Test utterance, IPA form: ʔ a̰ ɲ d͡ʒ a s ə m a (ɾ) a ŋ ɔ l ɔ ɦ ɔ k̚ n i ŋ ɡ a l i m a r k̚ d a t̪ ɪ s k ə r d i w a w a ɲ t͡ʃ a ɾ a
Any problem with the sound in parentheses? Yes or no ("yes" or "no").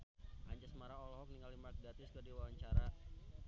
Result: no